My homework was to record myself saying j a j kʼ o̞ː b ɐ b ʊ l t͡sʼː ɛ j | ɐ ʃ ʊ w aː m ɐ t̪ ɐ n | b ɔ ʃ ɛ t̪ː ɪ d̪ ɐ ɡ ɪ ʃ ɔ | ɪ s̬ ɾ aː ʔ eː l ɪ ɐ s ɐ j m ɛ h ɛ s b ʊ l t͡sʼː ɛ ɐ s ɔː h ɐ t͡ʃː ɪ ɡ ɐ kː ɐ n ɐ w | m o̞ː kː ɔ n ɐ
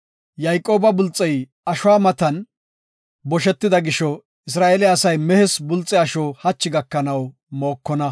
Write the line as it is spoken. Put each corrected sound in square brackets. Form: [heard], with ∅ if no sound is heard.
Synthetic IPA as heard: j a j kʼ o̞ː b ɐ b ʊ l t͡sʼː ɛ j | ɐ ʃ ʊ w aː m ɐ t̪ ɐ n | b ɔ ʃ ɛ t̪ː ɪ d̪ ɐ ɡ ɪ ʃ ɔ | ɪ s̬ ɾ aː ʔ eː l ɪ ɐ s ɐ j m ɛ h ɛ s b ʊ l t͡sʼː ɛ ɐ [ʃ] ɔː h ɐ t͡ʃː ɪ ɡ ɐ kː ɐ n ɐ w | m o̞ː kː ɔ n ɐ